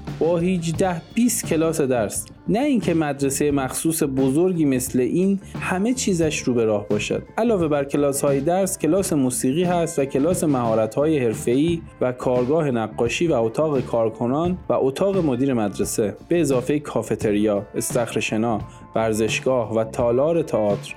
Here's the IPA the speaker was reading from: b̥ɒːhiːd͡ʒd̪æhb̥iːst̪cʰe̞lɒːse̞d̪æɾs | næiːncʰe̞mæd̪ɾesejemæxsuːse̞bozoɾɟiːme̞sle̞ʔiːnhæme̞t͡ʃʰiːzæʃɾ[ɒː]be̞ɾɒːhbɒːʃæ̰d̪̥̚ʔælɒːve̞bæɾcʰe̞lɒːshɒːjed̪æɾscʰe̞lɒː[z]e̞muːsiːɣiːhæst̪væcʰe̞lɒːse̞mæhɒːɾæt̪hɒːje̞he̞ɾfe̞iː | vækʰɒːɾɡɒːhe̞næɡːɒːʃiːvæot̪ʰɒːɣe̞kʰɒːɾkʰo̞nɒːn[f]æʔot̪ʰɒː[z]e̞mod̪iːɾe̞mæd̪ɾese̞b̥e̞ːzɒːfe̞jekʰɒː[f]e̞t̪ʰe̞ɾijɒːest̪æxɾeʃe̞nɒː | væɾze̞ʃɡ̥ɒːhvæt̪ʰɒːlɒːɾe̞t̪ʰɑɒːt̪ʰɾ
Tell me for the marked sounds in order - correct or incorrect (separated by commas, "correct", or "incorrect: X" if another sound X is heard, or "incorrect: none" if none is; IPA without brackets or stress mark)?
incorrect: uː, incorrect: s, incorrect: v, incorrect: ɣ, correct